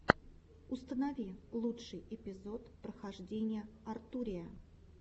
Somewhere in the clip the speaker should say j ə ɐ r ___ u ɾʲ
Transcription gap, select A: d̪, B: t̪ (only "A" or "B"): B